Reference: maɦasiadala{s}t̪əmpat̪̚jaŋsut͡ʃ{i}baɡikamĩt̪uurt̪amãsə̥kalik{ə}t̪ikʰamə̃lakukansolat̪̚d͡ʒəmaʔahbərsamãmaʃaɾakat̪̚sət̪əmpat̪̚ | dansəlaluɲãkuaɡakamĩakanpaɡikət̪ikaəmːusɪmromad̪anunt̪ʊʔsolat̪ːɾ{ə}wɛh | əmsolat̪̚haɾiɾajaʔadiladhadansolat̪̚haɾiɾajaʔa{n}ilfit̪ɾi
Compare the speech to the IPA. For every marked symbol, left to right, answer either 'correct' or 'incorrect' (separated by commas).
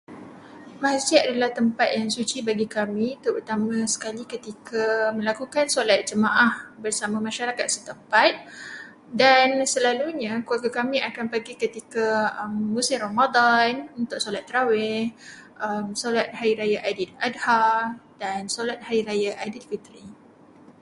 incorrect, correct, correct, incorrect, incorrect